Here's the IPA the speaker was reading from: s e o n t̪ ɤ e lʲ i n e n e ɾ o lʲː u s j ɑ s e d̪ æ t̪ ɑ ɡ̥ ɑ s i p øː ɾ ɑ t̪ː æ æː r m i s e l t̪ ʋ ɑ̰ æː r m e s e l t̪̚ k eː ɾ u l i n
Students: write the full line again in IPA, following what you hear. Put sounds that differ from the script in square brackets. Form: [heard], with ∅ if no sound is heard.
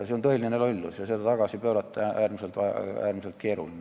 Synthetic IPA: s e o n t̪ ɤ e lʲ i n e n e [l] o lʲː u s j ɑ s e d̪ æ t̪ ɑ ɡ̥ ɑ s i p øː ɾ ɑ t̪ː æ æː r m i s e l t̪ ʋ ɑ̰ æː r m [i] s e l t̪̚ k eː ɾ u l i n